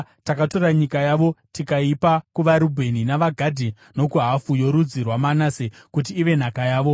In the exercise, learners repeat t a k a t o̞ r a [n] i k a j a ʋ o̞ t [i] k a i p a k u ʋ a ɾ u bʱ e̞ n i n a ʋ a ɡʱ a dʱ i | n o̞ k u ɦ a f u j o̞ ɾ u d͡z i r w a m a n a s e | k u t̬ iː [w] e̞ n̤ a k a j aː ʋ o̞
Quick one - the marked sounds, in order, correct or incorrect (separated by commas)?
incorrect, correct, incorrect